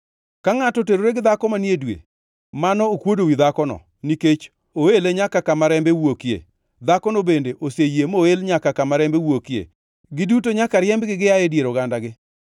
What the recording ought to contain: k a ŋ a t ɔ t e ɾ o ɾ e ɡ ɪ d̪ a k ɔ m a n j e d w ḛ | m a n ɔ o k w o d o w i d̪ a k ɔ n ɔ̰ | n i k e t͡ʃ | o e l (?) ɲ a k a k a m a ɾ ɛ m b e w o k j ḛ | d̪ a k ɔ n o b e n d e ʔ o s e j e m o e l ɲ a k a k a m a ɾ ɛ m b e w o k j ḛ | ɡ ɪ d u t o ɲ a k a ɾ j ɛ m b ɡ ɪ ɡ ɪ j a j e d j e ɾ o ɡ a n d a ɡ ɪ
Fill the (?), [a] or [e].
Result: e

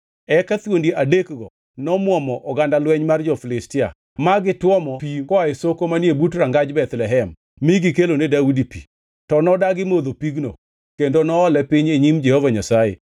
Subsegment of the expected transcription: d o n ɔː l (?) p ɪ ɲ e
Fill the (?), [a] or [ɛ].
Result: ɛ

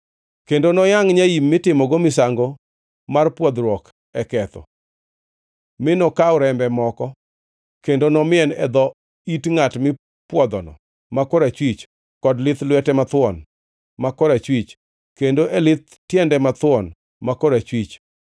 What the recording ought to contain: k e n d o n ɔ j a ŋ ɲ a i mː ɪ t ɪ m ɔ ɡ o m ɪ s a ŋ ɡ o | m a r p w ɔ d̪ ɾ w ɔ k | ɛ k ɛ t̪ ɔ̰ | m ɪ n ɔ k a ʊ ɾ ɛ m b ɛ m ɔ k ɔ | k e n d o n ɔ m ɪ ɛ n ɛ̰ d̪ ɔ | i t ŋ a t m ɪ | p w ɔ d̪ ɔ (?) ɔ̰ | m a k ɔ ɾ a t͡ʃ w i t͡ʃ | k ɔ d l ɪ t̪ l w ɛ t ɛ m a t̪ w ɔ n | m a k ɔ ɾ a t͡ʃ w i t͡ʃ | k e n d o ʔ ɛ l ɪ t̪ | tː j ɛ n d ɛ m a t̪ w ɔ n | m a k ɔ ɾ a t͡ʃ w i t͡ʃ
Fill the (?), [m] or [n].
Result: n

